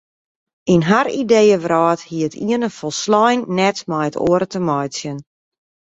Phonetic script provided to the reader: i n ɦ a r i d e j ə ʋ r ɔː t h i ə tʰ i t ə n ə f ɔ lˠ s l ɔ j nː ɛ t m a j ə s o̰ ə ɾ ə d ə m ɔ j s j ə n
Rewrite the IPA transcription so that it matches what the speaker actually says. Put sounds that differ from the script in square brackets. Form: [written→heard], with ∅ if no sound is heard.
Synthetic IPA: i n ɦ a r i d e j ə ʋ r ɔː t h i ə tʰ i [t→∅] ə n ə f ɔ lˠ s l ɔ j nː ɛ t m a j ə [s→t] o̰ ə ɾ ə [d→t] ə m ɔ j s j ə n